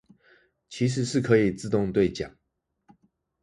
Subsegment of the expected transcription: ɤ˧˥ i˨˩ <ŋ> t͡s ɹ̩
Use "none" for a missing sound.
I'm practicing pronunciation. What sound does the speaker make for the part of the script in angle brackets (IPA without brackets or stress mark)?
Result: none